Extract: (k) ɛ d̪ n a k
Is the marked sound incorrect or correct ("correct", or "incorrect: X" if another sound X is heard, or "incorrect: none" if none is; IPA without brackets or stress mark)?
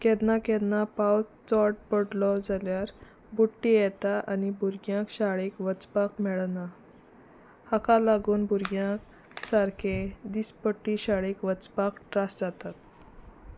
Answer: correct